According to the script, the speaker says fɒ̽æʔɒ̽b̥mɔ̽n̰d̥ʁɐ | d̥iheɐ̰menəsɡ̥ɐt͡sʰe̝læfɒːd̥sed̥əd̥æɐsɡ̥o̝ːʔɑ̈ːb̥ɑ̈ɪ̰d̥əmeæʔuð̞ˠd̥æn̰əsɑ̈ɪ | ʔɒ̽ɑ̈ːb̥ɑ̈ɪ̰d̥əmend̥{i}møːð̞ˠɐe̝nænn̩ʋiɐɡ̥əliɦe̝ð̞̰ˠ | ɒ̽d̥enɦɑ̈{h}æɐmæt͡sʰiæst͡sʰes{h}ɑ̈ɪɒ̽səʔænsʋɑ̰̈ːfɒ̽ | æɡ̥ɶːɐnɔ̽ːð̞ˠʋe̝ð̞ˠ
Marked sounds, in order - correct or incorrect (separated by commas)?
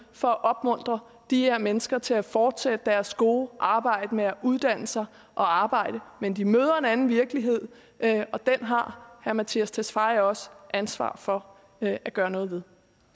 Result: correct, correct, incorrect